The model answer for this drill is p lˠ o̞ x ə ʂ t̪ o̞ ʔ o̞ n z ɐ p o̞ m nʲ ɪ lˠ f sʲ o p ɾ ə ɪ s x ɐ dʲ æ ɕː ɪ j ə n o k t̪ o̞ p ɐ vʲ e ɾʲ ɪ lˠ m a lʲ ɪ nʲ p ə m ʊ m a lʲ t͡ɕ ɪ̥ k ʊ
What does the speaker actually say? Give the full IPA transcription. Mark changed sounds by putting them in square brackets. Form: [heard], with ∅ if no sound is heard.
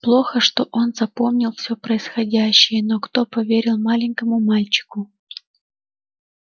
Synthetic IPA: p lˠ o̞ x ə ʂ t̪ o̞ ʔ o̞ n z ɐ p o̞ m nʲ ɪ lˠ f sʲ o p ɾ ə ɪ s x ɐ dʲ æ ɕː ɪ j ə n o k t̪ o̞ p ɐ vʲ e ɾʲ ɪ lˠ m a lʲ ɪ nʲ [k] ə m ʊ m a lʲ t͡ɕ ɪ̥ k ʊ